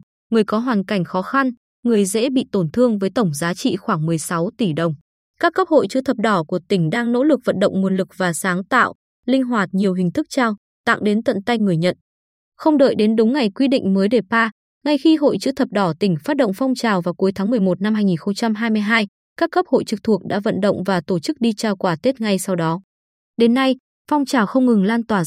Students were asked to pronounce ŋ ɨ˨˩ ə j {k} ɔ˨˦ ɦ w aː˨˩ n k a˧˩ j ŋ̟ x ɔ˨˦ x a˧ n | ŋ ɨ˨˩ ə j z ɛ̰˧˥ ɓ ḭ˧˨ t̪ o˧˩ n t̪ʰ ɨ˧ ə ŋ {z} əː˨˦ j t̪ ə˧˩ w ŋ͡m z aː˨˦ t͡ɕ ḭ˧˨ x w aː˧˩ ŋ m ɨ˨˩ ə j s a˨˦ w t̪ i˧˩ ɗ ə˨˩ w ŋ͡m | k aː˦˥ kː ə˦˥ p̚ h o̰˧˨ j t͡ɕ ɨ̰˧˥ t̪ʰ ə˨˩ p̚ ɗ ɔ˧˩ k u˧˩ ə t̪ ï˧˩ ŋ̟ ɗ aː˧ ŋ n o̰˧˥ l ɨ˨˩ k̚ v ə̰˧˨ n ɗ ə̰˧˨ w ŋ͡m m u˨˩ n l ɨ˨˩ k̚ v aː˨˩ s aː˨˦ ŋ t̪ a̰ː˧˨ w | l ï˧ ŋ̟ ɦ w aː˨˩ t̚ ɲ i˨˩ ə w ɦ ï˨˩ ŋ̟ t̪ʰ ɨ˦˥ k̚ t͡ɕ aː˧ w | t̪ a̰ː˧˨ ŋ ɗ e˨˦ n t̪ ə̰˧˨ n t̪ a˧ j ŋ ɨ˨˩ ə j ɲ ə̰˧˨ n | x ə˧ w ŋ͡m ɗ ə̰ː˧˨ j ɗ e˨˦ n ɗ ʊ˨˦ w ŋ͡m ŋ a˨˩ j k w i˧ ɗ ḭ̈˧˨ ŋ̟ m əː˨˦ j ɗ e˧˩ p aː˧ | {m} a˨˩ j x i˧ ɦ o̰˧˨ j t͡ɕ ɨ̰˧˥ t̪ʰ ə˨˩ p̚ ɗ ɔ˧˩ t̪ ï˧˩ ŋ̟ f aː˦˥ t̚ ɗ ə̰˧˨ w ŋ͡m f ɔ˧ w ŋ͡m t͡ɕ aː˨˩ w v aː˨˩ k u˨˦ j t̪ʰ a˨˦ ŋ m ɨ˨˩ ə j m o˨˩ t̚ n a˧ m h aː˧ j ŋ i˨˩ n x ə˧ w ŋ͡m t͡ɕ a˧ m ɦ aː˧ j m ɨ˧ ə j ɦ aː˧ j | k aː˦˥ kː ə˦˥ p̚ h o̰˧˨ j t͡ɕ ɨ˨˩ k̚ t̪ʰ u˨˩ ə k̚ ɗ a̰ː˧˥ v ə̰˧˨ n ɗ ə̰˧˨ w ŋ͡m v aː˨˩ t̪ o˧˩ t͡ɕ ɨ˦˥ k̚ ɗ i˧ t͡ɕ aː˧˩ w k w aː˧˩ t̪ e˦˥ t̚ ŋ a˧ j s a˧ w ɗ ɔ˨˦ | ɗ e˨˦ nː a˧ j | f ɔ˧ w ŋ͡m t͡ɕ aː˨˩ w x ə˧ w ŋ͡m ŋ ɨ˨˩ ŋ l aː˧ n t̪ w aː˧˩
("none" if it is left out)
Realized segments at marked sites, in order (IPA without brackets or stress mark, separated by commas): k, v, ŋ